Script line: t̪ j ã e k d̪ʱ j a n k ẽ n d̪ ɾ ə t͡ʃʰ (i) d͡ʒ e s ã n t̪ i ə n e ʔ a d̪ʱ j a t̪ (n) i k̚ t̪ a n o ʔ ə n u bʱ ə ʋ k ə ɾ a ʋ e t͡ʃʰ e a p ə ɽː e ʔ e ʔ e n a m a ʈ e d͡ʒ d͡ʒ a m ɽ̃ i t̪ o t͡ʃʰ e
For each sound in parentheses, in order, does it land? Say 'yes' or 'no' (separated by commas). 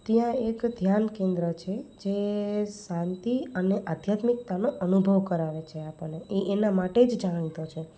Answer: no, no